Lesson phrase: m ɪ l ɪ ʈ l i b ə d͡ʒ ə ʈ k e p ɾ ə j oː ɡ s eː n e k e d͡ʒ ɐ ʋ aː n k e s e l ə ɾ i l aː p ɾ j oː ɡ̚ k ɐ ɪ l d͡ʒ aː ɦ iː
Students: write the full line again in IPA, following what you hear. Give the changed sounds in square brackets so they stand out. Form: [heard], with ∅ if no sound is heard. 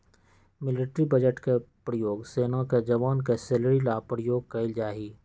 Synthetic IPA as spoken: m ɪ l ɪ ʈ [ɾ] i b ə d͡ʒ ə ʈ k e p ɾ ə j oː ɡ s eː n [a] k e d͡ʒ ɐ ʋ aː n k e s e l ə ɾ i l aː p ɾ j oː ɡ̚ k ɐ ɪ l d͡ʒ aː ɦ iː